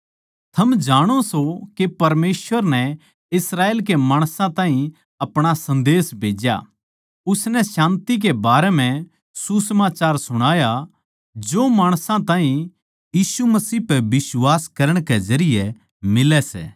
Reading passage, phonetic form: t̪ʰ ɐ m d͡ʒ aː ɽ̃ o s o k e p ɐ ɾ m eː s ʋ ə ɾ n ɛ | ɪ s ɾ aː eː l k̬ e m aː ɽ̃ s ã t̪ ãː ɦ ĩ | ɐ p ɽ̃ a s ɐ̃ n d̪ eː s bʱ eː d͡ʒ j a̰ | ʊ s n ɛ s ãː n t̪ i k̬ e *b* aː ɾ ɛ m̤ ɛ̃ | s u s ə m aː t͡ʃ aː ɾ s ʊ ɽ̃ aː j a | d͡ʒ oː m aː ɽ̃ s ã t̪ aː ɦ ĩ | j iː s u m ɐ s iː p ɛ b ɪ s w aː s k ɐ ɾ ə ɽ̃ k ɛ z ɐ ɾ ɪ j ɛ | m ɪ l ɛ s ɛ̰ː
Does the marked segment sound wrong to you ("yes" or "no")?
no